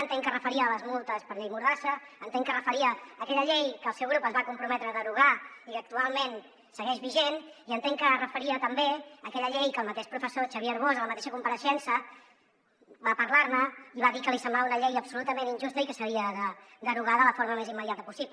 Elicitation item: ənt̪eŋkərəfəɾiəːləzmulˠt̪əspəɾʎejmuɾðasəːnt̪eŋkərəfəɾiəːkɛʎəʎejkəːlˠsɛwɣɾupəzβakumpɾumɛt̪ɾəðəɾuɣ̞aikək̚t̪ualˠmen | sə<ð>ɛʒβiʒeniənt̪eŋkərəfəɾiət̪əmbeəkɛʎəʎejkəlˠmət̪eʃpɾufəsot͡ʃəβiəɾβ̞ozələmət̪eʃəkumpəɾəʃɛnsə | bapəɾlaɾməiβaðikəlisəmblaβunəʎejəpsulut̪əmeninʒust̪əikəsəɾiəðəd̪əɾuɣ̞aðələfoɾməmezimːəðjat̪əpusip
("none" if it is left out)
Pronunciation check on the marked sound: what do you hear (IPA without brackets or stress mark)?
ɣ